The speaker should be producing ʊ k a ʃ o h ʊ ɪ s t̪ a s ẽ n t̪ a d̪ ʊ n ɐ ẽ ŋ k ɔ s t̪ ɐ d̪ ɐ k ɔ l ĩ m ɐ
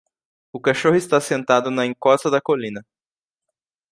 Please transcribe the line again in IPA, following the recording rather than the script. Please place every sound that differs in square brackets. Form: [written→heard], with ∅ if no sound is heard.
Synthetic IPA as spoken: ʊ k a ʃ o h ʊ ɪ s t̪ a s ẽ n t̪ a d̪ ʊ n ɐ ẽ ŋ k ɔ s t̪ ɐ d̪ ɐ k [ɔ→o] l ĩ [m→n] ɐ